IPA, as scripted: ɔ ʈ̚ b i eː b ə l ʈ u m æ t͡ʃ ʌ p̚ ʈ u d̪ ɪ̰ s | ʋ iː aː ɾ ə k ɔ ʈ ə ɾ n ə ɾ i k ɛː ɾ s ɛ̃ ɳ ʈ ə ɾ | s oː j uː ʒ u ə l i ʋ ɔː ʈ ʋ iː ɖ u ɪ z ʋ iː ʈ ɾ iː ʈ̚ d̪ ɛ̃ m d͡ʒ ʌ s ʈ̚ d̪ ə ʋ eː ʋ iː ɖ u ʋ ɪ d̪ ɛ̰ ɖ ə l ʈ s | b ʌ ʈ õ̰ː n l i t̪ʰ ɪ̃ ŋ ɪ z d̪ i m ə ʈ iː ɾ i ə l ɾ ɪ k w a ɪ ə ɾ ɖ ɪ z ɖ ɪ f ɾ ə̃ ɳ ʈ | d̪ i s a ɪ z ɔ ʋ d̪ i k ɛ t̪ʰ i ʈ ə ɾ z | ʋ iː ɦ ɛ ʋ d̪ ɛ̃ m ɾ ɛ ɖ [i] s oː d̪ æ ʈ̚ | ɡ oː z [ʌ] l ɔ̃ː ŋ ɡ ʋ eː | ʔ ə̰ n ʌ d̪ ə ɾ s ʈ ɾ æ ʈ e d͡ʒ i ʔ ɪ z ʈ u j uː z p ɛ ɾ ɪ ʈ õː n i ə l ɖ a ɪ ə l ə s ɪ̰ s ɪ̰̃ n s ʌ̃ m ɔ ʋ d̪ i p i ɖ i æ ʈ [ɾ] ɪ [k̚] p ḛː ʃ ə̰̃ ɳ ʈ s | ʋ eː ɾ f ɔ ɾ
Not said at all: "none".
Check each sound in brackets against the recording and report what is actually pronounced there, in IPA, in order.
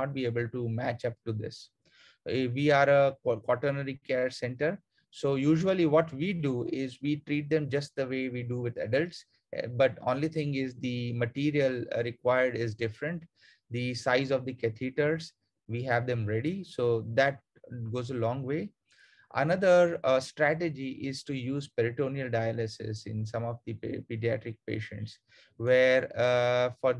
i, ə, ɾ, k̚

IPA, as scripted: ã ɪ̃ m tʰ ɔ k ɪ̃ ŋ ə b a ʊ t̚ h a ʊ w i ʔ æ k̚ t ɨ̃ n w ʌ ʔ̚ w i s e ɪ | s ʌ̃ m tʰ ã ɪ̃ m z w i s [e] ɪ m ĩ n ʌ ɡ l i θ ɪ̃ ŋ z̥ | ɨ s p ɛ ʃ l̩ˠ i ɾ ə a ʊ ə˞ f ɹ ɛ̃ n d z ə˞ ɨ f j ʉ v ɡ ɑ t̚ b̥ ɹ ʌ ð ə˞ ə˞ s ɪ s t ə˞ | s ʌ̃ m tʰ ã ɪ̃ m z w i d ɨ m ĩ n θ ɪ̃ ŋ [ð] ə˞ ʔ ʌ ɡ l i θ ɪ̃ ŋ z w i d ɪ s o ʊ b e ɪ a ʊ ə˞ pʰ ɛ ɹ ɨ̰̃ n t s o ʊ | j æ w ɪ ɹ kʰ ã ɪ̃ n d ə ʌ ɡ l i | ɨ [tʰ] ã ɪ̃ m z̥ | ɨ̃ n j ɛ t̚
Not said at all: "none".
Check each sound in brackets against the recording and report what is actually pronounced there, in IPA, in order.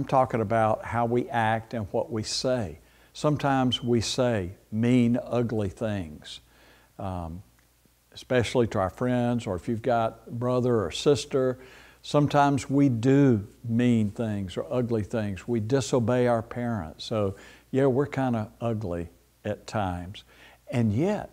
e, z, tʰ

